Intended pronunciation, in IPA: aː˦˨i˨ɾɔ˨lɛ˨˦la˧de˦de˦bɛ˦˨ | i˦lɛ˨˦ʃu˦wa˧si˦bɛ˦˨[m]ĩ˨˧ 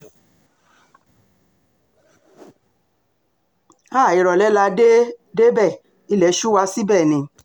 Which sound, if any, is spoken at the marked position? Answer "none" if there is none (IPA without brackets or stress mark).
n